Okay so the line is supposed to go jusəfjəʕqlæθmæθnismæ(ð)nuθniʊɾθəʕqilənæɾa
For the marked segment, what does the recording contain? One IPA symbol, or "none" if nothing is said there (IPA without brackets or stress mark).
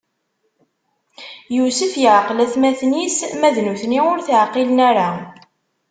ð